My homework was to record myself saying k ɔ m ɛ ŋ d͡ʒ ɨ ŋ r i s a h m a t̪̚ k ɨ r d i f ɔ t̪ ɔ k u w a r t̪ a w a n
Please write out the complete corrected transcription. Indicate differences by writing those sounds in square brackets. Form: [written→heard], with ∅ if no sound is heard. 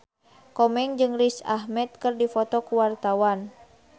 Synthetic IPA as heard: k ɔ m ɛ ŋ d͡ʒ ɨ ŋ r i s a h m [a→ɛ] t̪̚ k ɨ r d i f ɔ t̪ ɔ k u w a r t̪ a w a n